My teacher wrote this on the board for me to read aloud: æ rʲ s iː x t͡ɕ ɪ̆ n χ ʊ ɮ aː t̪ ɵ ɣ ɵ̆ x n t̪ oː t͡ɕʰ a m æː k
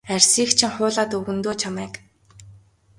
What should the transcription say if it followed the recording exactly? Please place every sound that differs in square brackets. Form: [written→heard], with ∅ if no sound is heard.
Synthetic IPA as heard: æ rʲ s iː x [t͡ɕ→t͡ɕʰ] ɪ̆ [n→ŋ] χ [ʊ→ʊː] ɮ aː t̪ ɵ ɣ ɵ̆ [x→∅] n t̪ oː t͡ɕʰ a m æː k